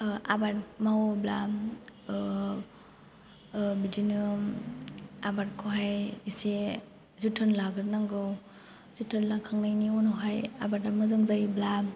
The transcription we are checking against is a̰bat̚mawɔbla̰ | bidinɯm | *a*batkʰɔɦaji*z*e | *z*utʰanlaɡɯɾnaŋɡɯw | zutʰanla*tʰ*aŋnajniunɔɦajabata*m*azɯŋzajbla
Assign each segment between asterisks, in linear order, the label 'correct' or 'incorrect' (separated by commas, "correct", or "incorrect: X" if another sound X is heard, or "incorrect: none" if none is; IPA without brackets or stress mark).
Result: correct, incorrect: s, correct, incorrect: kʰ, correct